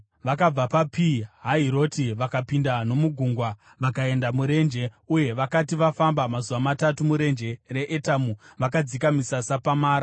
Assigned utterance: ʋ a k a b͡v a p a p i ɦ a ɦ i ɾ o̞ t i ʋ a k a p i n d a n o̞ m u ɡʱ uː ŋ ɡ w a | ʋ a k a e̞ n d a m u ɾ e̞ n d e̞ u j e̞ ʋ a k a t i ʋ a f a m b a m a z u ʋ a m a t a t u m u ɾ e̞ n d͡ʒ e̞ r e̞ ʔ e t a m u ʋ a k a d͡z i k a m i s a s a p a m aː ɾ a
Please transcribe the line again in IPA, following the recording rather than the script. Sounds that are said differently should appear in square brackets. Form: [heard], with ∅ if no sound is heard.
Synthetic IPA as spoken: ʋ a k a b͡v a p a p i ɦ a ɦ i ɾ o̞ t i ʋ a k a p i n d a n o̞ m u ɡʱ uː ŋ ɡ w a | ʋ a k a e̞ n d a m u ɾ e̞ n [d͡ʒ] e̞ u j e̞ ʋ a k a t i ʋ a f a m b a m a z u ʋ a m a t a t u m u ɾ e̞ n d͡ʒ e̞ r e̞ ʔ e t a m u ʋ a k a d͡z i k a m i s a s a p a m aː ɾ a